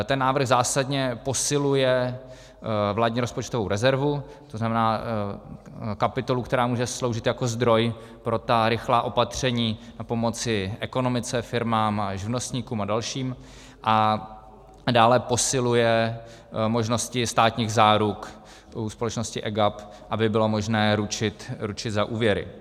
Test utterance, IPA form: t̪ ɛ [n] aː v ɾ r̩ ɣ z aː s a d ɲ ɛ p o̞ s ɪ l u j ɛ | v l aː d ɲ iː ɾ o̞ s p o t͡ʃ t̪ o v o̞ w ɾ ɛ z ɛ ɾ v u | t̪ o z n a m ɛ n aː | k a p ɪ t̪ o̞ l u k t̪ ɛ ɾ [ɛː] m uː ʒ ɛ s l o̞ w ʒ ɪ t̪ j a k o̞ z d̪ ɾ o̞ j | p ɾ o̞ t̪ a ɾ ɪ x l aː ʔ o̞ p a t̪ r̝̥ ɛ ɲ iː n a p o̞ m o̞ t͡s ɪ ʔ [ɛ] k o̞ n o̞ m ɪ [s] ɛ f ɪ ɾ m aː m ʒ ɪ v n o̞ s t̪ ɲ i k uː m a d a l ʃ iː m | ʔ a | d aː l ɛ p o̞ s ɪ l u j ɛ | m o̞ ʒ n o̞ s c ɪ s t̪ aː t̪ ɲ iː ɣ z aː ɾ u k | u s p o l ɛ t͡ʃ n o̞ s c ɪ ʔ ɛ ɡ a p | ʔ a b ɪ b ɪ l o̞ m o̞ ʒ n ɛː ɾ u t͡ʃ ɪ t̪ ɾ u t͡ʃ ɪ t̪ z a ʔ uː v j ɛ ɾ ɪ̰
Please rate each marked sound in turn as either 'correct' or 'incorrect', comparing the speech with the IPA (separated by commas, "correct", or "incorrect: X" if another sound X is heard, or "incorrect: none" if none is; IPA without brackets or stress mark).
incorrect: nː, incorrect: aː, correct, incorrect: t͡s